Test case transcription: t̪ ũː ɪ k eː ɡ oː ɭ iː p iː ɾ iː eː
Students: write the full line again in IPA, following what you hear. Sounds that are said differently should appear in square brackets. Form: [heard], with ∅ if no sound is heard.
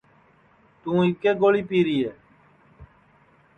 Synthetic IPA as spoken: t̪ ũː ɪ k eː ɡ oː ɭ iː p iː ɾ iː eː